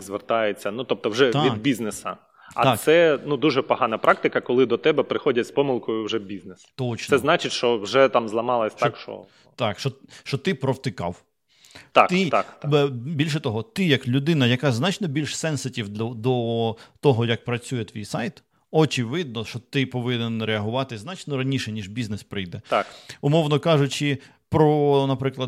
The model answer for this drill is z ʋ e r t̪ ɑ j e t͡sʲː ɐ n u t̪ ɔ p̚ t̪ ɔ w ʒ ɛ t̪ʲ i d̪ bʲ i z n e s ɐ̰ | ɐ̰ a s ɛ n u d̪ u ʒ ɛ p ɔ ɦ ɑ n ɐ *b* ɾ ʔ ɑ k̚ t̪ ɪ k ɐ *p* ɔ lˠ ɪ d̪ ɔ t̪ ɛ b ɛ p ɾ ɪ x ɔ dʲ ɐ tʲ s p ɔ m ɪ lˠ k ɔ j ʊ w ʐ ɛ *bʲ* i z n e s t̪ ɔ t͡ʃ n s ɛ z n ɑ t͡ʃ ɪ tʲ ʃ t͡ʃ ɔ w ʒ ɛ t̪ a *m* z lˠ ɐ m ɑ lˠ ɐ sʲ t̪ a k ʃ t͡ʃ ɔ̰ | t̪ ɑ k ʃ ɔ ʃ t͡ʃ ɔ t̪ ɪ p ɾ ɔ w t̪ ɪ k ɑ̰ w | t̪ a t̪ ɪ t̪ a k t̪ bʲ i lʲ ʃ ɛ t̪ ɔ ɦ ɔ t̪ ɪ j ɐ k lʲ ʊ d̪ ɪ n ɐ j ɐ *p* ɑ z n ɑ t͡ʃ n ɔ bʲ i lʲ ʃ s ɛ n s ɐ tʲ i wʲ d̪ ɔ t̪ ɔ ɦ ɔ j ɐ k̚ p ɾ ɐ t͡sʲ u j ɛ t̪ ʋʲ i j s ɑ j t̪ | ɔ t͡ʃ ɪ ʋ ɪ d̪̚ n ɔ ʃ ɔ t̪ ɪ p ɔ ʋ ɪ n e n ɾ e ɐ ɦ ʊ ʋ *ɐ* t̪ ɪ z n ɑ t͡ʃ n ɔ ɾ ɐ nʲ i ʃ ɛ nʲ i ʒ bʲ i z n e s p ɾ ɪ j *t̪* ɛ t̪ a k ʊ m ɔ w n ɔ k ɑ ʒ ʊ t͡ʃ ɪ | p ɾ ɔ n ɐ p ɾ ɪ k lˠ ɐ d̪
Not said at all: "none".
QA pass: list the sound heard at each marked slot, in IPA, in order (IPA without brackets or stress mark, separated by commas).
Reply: p, k, bʲ, m, k, ɑ, d̪